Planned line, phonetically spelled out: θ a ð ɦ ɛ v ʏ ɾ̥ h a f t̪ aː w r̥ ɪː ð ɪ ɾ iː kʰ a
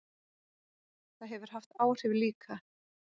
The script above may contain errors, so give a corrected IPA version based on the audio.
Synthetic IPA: θ a ð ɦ ɛ v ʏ ɾ̥ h a f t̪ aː w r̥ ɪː v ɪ l iː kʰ a

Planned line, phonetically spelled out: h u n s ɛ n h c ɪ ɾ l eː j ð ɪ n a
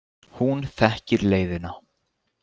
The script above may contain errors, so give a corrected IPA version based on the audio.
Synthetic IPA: h u n θ ɛ h c ɪ ɾ l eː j ð ɪ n a

